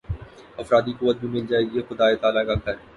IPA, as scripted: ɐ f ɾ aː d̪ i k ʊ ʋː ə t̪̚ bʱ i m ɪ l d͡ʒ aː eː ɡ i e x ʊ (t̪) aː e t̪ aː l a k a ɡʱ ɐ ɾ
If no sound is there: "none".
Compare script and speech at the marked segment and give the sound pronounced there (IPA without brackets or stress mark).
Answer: d̪